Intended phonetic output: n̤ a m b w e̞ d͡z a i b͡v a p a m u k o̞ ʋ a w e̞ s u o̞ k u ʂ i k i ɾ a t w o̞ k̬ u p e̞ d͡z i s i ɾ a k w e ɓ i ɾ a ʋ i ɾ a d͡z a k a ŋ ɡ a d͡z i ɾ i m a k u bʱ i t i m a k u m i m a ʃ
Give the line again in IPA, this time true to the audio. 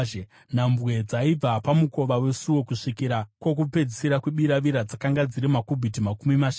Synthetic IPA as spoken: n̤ a m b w e̞ d͡z a i b͡v a p a m u k o̞ ʋ a w e̞ s u o̞ k u ʂ i k i ɾ a k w o̞ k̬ u p e̞ d͡z i s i ɾ a k w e ɓ i ɾ a ʋ i ɾ a d͡z a k a ŋ ɡ a d͡z i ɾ i m a k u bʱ i t i m a k u m i m a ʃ